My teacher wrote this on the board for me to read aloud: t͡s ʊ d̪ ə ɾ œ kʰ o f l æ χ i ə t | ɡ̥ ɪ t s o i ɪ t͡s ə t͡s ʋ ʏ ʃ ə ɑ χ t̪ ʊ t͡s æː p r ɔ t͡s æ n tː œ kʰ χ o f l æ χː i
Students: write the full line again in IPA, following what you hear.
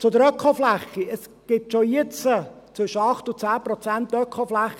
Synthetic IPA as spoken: t͡s ʊ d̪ ə ɾ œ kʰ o f l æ χ i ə s | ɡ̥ ɪ t ʃ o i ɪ t͡s ə t͡s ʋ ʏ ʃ ə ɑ χ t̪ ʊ t͡s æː p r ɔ t͡s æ n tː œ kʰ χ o f l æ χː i